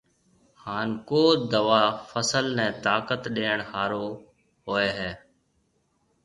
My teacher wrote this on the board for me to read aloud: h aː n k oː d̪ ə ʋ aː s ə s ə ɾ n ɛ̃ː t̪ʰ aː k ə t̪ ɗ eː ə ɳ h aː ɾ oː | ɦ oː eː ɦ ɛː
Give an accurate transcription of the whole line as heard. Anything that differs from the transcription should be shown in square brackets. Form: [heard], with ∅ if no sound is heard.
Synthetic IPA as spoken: h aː n k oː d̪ ə ʋ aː [f] ə s ə [l] n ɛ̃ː [t̪] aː k ə t̪ ɗ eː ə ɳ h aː ɾ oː | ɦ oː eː ɦ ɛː